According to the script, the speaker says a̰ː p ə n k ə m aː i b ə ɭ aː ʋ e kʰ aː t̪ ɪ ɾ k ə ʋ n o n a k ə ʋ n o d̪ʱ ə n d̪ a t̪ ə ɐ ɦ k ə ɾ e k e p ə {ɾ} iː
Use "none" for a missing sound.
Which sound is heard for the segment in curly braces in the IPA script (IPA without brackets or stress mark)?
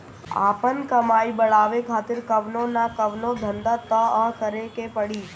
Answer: ɽ